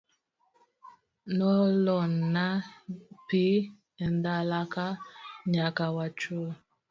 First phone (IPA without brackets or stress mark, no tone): n